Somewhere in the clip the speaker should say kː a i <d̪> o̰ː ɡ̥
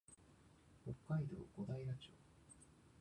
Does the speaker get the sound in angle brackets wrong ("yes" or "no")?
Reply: no